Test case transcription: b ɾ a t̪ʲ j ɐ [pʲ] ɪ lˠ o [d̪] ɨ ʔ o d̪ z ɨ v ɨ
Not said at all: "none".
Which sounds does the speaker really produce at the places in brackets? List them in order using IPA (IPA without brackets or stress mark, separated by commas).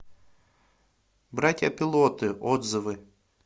pʲ, t̪